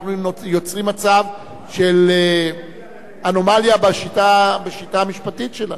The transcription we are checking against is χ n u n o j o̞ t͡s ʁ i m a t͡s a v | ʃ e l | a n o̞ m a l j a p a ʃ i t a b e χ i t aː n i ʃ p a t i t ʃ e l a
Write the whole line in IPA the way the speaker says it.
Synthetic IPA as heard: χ n u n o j o̞ t͡s ʁ i m a t͡s a v | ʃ e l | a n o̞ m a l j a b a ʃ i t a b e ʃ i t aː m i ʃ p a t i t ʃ e l a